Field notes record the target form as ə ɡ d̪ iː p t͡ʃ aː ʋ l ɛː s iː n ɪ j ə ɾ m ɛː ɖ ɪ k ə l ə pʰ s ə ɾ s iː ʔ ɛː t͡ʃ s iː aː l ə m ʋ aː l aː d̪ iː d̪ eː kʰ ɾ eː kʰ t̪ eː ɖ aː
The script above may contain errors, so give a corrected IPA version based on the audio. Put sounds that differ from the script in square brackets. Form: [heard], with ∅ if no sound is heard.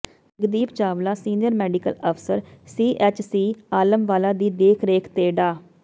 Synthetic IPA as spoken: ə ɡ d̪ iː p t͡ʃ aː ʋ l [aː] s iː n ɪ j ə ɾ m ɛː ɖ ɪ k ə l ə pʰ s ə ɾ s iː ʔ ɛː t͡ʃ s iː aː l ə m ʋ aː l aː d̪ iː d̪ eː kʰ ɾ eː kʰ t̪ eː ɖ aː

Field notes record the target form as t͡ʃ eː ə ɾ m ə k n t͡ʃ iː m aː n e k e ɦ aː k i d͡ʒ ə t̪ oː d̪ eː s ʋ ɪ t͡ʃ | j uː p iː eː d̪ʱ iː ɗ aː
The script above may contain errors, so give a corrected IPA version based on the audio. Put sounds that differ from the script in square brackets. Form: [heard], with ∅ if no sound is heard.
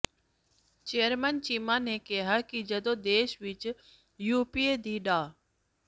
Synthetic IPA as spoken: t͡ʃ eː ə ɾ m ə [∅] n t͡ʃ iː m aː n e k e ɦ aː k i d͡ʒ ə [d̪] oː d̪ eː [ʃ] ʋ ɪ t͡ʃ | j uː p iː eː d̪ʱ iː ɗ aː

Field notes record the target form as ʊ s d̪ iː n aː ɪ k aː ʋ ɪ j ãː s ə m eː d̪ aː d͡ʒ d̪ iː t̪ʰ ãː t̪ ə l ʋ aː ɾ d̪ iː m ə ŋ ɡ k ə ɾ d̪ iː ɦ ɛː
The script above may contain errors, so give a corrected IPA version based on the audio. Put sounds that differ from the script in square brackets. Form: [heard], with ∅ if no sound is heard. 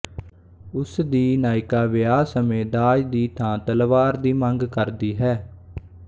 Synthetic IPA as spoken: ʊ s d̪ iː n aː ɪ k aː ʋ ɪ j [aː] s ə m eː d̪ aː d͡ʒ d̪ iː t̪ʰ ãː t̪ ə l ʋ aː ɾ d̪ iː m ə ŋ ɡ k ə ɾ d̪ iː ɦ ɛː

